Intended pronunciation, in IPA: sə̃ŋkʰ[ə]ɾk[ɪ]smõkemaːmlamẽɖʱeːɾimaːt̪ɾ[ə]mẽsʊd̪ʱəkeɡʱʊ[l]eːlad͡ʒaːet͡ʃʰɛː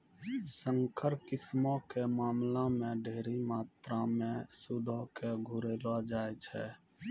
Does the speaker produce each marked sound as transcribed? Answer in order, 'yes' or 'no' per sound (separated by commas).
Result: yes, yes, no, no